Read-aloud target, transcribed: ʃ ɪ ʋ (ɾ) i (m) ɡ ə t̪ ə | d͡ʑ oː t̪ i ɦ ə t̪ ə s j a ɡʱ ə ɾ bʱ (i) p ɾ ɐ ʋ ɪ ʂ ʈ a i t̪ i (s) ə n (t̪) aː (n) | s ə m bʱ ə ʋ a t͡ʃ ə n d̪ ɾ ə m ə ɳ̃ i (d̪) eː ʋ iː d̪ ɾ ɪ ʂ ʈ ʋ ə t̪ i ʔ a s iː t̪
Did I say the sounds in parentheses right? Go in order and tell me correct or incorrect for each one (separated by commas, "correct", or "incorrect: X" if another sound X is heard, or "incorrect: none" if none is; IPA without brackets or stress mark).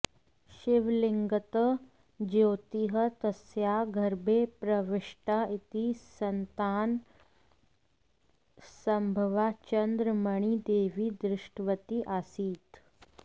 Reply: incorrect: l, incorrect: ŋ, incorrect: e, correct, correct, correct, correct